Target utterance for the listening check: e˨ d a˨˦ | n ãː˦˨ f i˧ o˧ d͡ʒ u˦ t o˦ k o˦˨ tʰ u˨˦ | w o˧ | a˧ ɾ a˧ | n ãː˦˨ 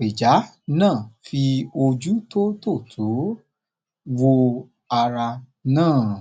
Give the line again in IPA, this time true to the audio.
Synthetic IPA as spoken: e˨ d͡ʒ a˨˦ | n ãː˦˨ f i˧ o˧ d͡ʒ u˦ t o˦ t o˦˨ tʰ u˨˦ | w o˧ | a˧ ɾ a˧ | n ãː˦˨

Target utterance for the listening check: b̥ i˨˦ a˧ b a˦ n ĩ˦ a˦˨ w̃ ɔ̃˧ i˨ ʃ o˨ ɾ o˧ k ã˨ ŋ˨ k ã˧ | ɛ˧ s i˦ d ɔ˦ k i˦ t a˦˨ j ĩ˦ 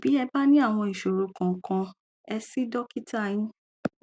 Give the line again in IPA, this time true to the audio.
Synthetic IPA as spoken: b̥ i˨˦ ɛ˧ b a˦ n ĩ˦ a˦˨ w̃ ɔ̃˧ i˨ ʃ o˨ ɾ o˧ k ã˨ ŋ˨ k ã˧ | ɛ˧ s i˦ d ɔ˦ k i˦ t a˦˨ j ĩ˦

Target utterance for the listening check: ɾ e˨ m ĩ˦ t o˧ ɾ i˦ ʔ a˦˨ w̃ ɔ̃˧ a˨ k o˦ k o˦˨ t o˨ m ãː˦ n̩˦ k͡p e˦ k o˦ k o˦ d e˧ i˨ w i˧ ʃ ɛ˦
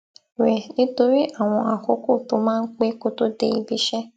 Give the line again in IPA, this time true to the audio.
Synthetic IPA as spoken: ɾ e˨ n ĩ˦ t o˧ ɾ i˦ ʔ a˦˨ w̃ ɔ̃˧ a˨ k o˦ k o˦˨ t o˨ m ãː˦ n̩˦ k͡p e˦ k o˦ t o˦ d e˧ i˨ b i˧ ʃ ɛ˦

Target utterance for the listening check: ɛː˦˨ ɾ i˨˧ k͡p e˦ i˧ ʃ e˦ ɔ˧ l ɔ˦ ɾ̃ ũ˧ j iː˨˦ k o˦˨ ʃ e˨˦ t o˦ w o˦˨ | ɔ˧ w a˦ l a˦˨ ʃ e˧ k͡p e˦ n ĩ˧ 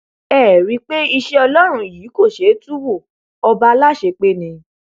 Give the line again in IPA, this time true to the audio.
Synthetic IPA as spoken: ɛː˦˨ ɾ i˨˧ k͡p e˦ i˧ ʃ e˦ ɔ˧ l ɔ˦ ɾ̃ ũ˧ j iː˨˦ k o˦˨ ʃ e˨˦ t u˦ w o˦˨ | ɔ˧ b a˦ l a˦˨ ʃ e˧ k͡p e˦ n ĩ˧

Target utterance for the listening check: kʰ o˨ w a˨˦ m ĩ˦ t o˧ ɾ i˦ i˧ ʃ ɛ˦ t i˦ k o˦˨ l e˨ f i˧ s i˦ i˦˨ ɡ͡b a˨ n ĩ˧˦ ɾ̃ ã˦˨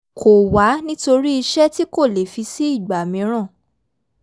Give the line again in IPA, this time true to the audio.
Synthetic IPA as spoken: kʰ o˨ w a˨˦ n ĩ˦ t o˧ ɾ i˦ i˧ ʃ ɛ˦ t i˦ k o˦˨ l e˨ f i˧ s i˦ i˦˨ ɡ͡b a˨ m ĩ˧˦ ɾ̃ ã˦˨

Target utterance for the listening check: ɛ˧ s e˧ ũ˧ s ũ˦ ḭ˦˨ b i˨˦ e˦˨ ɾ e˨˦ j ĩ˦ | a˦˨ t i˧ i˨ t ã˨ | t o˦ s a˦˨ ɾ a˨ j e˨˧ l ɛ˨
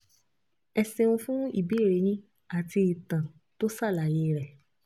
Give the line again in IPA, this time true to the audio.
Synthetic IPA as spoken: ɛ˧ s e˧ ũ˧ f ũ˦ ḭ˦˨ b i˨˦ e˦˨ ɾ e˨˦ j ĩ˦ | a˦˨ t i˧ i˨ t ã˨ | t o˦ s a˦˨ l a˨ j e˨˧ ɾ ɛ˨

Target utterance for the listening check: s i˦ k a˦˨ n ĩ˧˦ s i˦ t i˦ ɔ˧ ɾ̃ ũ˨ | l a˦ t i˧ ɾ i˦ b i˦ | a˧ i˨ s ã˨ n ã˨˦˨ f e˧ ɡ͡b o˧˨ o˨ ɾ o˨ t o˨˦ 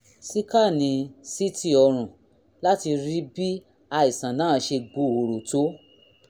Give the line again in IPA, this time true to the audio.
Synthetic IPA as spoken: s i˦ k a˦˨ n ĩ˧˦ s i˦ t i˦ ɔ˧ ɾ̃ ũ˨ | l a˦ t i˧ ɾ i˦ b i˦ | a˧ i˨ s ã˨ n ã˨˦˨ ʃ e˧ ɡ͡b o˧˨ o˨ ɾ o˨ t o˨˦

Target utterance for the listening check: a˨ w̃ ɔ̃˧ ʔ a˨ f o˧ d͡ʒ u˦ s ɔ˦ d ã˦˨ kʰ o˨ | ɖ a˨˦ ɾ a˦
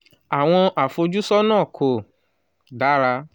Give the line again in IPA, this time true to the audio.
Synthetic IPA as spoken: a˨ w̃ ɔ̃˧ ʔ a˨ f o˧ d͡ʒ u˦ s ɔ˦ n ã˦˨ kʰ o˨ | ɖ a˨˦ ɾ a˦

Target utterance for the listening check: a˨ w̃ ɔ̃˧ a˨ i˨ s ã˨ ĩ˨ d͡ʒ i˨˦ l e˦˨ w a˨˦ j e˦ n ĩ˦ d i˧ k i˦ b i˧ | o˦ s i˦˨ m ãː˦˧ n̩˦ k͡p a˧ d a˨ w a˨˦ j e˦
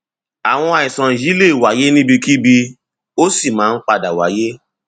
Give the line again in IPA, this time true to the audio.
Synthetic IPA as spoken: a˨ w̃ ɔ̃˧ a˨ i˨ s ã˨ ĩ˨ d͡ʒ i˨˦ l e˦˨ w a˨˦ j e˦ n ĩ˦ b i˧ k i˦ b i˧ | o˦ s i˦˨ m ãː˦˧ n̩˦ k͡p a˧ d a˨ w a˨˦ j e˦

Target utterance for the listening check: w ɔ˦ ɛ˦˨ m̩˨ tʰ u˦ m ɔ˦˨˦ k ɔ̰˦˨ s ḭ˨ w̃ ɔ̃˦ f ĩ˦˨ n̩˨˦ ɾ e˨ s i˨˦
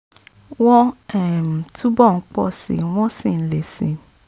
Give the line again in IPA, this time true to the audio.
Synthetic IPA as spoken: w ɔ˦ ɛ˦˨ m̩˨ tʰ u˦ b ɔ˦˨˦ k͡p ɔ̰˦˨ s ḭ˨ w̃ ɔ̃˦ s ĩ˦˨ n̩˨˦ l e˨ s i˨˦

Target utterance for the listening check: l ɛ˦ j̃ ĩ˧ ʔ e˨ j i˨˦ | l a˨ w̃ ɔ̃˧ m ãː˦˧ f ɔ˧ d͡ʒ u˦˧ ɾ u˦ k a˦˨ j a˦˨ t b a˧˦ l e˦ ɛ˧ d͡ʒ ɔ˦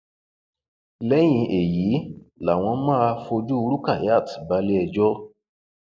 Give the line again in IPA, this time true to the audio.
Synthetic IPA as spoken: l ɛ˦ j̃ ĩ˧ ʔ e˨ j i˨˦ | l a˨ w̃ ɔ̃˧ m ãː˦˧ f o˧ d͡ʒ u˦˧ ɾ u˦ k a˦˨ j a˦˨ t b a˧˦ l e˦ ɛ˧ d͡ʒ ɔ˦

